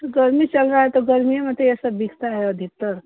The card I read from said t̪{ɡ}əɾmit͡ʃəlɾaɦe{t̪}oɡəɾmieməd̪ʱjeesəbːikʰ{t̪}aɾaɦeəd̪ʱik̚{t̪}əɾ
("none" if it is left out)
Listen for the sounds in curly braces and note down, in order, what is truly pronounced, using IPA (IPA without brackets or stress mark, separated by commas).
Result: ɡ, t̪, t̪, t̪